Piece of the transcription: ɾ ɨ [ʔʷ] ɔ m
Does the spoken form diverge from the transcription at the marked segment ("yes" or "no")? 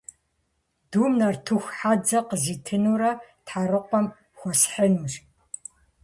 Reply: yes